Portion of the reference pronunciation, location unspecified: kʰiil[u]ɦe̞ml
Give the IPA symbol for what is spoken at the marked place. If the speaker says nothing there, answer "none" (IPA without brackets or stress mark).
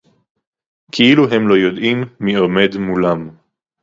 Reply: u